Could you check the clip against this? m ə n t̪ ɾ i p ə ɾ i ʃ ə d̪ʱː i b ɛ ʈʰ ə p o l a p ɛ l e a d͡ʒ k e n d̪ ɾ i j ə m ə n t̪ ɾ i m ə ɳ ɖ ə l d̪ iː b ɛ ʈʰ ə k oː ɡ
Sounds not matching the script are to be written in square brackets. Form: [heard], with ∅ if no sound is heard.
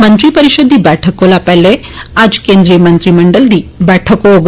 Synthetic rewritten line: m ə n t̪ ɾ i p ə ɾ i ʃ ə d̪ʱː i b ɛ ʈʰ ə [k] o l a p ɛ l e a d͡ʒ k e n d̪ ɾ i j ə m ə n t̪ ɾ i m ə ɳ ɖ ə l d̪ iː b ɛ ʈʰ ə k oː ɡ